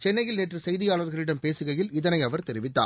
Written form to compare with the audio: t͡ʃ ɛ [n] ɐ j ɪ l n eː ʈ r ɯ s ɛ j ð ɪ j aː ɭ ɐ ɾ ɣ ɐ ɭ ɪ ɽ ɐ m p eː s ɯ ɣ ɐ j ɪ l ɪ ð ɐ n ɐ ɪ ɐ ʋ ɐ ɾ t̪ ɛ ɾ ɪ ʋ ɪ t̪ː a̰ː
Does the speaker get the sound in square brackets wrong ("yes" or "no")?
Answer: yes